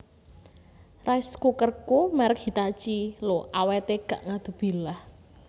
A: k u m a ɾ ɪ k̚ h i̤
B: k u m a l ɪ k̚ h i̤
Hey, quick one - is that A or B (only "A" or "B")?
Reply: A